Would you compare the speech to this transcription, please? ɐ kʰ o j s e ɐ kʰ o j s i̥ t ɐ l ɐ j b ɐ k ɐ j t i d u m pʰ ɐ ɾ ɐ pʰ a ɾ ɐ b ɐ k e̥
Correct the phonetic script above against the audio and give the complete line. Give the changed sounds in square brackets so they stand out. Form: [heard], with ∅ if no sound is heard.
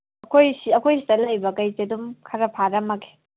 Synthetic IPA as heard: ɐ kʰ o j s [i] ɐ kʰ o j s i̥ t ɐ l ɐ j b ɐ k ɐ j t [e] d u m [kʰ] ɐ ɾ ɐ pʰ a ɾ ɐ [m] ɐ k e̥